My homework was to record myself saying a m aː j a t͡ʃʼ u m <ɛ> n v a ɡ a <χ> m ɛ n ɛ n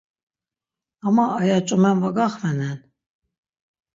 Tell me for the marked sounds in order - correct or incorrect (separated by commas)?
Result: correct, correct